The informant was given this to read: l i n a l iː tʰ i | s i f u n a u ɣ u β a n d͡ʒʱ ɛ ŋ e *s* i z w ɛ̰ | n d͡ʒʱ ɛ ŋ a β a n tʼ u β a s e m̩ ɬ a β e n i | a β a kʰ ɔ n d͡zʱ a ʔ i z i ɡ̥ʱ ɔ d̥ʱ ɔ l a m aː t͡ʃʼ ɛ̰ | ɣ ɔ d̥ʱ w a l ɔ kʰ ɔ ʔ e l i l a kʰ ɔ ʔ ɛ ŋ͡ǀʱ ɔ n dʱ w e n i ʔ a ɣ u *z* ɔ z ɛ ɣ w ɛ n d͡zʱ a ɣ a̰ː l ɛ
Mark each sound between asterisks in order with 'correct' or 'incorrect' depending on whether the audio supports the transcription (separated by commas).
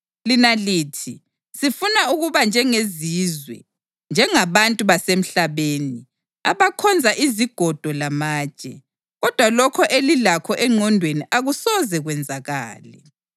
incorrect, incorrect